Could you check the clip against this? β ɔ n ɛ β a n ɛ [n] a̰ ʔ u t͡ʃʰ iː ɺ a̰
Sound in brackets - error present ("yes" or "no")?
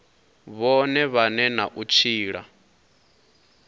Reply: no